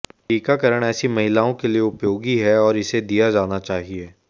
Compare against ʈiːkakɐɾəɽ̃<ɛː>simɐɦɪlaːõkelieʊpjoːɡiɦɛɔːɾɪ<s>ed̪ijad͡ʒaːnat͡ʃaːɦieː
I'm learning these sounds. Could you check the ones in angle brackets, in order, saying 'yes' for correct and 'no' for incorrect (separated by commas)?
yes, yes